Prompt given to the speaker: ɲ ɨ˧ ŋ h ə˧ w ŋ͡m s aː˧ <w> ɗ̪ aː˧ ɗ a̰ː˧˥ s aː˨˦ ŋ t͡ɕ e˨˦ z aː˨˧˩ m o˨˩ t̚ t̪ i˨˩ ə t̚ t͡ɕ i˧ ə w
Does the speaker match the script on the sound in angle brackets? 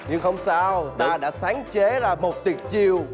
yes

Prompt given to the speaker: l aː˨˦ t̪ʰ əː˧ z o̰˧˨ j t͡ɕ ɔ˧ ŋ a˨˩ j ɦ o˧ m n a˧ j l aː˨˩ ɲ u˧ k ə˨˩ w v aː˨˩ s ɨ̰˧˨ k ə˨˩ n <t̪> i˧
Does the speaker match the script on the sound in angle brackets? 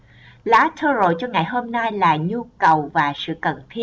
no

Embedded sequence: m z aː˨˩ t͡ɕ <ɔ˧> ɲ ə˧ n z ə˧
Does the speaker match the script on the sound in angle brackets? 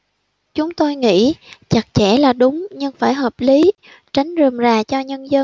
yes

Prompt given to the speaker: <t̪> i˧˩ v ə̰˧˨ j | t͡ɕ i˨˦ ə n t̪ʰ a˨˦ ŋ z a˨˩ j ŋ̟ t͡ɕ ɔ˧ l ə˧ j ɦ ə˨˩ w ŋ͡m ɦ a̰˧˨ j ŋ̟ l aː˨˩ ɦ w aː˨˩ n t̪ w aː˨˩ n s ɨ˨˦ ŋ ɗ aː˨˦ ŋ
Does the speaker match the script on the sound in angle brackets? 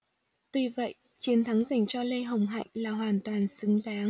yes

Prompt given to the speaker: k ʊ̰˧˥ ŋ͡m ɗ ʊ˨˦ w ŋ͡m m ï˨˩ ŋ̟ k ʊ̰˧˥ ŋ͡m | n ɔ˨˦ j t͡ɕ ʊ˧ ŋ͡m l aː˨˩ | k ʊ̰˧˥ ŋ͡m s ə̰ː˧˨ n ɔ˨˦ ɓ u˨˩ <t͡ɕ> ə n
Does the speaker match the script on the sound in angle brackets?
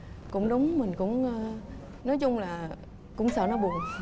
no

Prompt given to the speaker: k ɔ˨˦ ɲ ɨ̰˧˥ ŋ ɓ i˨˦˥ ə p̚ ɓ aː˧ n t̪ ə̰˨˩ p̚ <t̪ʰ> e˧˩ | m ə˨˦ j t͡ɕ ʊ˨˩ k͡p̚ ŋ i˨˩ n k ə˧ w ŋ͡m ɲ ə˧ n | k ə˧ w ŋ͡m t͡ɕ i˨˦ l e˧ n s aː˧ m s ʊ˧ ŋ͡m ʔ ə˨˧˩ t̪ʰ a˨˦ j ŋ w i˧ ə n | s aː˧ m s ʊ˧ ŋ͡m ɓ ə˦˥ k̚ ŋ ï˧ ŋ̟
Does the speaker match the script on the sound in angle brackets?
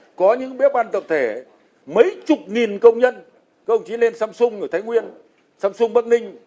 yes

